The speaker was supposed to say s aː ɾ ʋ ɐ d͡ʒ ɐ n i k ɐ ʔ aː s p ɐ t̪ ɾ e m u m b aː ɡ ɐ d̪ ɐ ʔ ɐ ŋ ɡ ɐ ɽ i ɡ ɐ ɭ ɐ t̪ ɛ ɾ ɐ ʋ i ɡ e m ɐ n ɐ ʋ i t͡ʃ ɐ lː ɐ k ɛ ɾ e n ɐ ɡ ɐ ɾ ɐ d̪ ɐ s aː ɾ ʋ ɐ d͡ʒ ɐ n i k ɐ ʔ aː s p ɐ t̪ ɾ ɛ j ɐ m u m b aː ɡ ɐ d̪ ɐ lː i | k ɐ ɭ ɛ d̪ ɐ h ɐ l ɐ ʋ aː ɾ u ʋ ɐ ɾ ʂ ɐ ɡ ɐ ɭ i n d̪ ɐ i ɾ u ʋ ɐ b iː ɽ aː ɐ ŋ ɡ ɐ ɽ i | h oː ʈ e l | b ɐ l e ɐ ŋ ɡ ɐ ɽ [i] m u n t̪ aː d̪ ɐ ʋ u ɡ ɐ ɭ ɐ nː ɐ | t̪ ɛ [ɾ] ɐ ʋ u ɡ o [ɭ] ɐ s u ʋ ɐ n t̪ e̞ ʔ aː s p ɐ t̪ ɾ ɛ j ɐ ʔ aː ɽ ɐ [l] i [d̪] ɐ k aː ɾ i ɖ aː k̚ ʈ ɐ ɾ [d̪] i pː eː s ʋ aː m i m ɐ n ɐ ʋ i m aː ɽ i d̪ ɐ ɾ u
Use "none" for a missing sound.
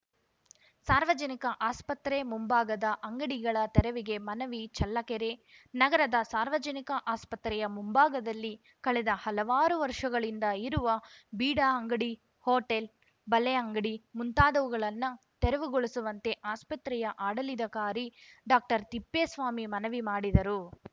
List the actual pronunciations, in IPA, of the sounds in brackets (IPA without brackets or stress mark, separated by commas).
i, ɾ, ɭ, l, d̪, t̪